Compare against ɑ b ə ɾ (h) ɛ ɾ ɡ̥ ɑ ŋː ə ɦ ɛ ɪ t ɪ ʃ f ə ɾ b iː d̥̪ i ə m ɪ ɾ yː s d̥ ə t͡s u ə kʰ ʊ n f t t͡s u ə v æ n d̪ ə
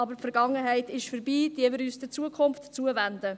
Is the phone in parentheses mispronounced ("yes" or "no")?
yes